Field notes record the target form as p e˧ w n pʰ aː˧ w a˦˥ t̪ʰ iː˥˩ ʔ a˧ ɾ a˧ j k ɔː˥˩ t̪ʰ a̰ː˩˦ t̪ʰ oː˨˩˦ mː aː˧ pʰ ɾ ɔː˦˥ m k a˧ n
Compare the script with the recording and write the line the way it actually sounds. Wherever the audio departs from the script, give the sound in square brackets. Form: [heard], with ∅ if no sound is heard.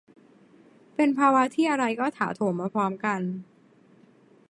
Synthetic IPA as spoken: p e˧ [∅] n pʰ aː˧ w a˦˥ t̪ʰ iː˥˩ ʔ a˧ ɾ a˧ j k ɔː˥˩ t̪ʰ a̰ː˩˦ t̪ʰ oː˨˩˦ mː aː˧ pʰ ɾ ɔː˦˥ m k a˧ n